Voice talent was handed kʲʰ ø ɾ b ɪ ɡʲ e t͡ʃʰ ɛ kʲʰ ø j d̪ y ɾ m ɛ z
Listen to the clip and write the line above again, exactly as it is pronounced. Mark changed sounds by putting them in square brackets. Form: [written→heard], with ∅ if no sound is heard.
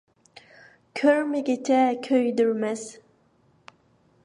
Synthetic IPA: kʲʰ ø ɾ [b→m] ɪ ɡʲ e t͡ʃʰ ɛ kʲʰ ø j d̪ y ɾ m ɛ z